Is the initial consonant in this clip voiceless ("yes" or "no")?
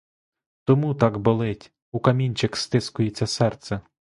yes